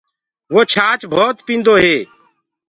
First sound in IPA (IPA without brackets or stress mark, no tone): ʋ